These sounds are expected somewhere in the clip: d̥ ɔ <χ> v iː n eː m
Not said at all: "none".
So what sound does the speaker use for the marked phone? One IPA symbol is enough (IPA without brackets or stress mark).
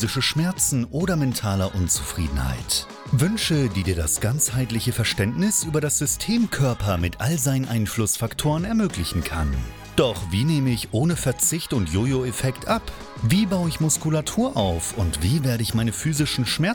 χ